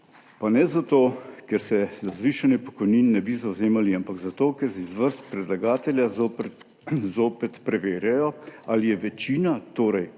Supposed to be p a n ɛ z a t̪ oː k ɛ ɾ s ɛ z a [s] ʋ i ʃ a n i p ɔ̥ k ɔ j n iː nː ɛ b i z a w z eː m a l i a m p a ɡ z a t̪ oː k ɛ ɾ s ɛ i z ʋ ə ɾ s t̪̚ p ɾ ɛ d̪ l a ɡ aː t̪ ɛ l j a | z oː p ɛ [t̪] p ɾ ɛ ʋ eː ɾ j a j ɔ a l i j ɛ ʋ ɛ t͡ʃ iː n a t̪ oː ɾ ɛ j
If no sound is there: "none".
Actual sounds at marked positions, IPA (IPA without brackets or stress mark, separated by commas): z, t̪